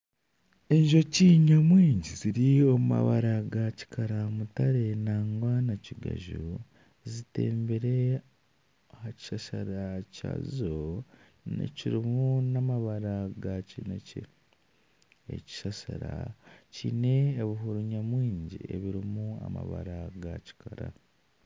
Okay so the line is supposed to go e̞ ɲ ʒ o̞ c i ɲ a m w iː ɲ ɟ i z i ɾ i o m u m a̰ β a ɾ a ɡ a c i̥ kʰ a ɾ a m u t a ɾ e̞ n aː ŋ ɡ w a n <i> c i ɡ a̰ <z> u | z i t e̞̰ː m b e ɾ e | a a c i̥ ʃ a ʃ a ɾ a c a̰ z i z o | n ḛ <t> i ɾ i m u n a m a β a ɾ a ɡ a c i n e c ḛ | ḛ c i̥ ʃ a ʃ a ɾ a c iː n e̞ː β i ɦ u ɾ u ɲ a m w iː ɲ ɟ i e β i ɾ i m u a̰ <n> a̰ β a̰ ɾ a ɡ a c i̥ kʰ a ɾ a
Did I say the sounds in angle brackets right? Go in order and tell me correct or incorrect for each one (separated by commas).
incorrect, incorrect, incorrect, incorrect